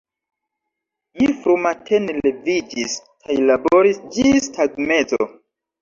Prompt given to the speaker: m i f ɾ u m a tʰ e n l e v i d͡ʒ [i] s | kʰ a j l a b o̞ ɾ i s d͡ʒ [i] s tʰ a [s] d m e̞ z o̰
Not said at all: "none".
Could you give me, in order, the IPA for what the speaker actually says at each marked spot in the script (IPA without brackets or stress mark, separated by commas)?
i, i, none